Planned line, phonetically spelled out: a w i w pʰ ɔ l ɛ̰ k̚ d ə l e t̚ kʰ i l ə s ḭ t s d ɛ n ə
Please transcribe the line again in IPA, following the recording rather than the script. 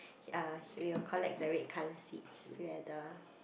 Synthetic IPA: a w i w kʰ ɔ l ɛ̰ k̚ d ə ɹ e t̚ kʰ a l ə s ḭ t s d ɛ d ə